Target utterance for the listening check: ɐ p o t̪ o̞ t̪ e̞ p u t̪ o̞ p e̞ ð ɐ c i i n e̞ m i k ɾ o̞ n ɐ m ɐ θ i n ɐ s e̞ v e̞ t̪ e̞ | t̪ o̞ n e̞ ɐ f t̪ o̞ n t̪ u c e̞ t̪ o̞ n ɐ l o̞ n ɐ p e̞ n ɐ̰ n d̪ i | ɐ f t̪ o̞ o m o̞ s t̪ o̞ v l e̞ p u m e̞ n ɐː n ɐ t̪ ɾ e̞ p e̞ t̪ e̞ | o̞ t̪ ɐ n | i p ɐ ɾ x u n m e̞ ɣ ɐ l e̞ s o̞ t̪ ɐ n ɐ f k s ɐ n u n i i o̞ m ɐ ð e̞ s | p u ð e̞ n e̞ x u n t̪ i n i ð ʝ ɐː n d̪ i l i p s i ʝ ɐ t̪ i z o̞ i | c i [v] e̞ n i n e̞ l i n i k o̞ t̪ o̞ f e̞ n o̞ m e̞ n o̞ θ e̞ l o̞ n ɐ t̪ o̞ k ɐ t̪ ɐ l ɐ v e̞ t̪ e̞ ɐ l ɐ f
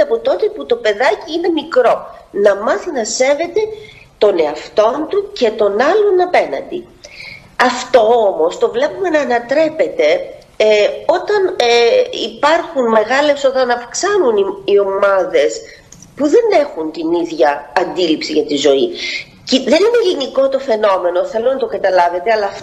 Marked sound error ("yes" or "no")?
yes